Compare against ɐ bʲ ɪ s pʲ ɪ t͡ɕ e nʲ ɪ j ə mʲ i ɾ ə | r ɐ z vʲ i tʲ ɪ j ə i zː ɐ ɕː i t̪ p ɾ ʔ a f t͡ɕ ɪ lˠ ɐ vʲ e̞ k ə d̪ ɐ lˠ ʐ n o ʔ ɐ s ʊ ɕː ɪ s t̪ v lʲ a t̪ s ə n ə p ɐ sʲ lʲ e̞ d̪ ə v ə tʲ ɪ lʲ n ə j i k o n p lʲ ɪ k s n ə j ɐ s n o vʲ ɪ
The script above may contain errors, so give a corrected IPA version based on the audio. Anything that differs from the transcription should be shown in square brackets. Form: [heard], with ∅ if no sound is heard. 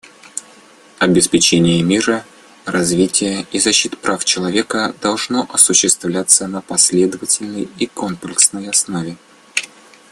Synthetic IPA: ɐ bʲ ɪ s pʲ ɪ t͡ɕ e nʲ ɪ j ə mʲ i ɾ ə | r ɐ z vʲ i tʲ ɪ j ə i [z] ɐ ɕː i t̪ p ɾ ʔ a f t͡ɕ ɪ lˠ ɐ vʲ e̞ k ə d̪ ɐ lˠ ʐ n o ʔ ɐ s ʊ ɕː ɪ s t̪ v lʲ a t̪ s ə n ə p ɐ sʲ lʲ e̞ d̪ ə v ə tʲ ɪ lʲ n ə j i k o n p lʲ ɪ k s n ə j ɐ s n o vʲ ɪ